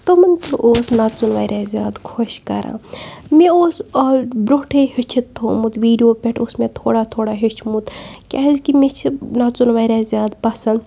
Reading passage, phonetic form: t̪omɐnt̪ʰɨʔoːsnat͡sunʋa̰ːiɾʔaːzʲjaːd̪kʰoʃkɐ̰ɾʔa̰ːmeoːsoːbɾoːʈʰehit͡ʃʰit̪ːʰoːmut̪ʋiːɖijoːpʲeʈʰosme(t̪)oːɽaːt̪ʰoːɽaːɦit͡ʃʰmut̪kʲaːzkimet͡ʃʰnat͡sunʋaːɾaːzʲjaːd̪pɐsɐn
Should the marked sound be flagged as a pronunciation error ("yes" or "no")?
yes